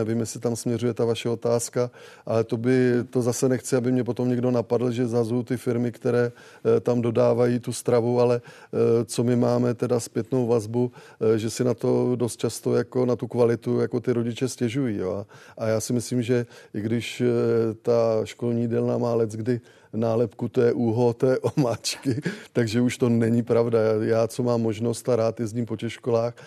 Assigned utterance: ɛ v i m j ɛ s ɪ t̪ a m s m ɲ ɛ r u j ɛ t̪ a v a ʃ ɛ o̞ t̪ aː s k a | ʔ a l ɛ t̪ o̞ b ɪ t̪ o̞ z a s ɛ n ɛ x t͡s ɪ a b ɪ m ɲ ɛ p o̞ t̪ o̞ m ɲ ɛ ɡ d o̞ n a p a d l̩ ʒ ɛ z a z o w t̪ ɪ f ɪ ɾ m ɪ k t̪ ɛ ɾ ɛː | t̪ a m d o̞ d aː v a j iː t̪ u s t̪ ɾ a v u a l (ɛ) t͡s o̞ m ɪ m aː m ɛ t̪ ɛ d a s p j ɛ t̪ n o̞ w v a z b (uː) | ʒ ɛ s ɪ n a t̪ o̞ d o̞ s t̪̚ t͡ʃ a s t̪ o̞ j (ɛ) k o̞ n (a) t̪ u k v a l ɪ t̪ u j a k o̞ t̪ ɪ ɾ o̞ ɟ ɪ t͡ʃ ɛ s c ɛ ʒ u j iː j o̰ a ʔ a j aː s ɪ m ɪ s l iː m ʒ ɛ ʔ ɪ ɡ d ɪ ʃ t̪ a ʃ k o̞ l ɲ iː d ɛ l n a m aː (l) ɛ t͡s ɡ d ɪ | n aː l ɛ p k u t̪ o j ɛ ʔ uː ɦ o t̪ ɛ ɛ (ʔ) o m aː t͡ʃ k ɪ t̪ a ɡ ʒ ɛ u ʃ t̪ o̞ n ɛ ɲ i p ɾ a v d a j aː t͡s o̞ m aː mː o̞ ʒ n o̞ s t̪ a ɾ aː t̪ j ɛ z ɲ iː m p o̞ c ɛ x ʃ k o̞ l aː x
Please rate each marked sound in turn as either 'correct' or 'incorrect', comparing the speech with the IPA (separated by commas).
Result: correct, incorrect, incorrect, correct, correct, correct